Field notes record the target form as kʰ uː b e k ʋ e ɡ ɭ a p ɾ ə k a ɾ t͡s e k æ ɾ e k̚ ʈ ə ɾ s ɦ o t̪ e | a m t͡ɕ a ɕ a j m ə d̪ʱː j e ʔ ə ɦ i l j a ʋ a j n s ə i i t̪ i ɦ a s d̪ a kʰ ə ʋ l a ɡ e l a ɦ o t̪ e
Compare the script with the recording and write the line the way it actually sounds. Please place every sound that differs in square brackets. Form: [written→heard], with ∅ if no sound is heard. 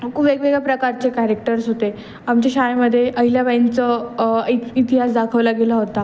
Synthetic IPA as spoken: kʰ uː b e k ʋ e ɡ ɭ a p ɾ ə k a ɾ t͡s e k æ ɾ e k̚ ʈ ə ɾ s ɦ o t̪ e | a m t͡ɕ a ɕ a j m ə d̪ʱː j e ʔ ə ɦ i l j a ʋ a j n [s→t͡s] ə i i t̪ i ɦ a s d̪ a kʰ ə ʋ l a ɡ e l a ɦ o t̪ [e→a]